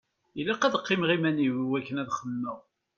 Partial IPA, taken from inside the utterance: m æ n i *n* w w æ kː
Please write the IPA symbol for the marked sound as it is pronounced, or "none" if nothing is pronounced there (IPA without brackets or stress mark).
none